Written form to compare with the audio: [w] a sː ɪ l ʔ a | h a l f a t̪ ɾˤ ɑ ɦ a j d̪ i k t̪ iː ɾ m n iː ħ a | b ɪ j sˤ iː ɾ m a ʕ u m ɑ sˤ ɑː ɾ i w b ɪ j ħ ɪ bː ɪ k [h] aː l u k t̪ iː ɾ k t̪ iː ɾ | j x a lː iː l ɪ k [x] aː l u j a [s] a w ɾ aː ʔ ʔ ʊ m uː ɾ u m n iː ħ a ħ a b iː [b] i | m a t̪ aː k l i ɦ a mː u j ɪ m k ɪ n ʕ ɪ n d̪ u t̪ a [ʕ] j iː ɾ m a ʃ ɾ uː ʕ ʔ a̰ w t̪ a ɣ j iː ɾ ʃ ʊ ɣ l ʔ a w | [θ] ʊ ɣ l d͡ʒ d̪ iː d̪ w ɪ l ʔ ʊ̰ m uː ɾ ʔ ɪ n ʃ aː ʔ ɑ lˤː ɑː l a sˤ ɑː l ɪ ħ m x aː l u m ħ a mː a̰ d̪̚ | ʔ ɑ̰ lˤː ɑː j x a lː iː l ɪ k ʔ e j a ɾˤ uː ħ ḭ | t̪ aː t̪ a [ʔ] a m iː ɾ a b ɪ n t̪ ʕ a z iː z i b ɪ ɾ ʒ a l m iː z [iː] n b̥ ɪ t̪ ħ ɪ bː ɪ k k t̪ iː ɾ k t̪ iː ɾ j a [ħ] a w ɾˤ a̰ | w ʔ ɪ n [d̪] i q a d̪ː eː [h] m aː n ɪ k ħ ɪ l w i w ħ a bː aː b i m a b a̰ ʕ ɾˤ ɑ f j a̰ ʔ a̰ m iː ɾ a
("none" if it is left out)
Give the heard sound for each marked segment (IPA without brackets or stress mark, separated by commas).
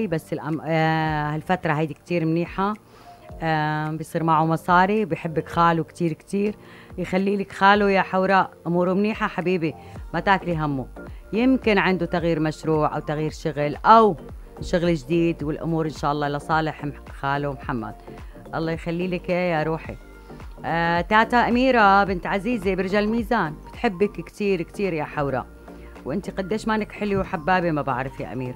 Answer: b, x, x, ħ, b, ɣ, ʃ, ʔ, aː, ħ, t̪, ʃ